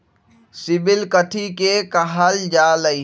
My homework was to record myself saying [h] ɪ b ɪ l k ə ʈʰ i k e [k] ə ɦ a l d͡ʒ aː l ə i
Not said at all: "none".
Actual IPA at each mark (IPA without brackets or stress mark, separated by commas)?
s, k